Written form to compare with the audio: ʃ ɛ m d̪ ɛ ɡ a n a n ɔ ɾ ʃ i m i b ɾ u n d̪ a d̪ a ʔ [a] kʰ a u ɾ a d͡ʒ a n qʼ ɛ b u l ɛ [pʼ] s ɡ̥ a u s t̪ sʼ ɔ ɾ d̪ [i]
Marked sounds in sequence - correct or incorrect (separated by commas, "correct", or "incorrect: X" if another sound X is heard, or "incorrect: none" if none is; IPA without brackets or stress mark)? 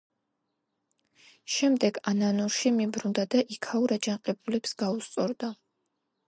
incorrect: i, incorrect: p, incorrect: a